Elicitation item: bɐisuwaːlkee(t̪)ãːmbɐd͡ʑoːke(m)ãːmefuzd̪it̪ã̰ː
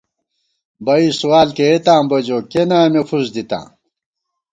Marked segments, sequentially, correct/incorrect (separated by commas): correct, incorrect